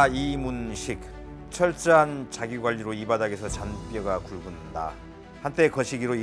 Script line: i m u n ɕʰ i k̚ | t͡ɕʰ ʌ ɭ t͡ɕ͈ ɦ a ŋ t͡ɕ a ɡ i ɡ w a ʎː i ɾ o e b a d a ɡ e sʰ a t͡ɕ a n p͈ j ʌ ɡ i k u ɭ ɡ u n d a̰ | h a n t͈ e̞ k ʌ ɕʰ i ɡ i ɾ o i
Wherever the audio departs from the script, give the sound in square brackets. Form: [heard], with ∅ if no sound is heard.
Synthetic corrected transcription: i m u n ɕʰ i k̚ | t͡ɕʰ ʌ ɭ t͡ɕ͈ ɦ a [n] t͡ɕ a ɡ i ɡ w a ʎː i ɾ o [i] b a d a ɡ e sʰ [ʌ] t͡ɕ a n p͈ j ʌ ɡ [a] k u ɭ ɡ u n d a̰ | h a n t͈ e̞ k ʌ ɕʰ i ɡ i ɾ o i